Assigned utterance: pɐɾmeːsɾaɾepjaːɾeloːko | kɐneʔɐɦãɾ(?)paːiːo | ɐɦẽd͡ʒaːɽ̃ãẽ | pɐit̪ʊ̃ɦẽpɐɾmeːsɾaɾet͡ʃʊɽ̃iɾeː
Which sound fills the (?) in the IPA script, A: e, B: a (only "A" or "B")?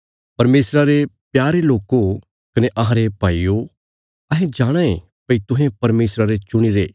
A